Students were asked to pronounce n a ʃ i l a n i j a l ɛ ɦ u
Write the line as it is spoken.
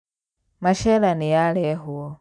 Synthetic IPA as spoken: m a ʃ ɛ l a n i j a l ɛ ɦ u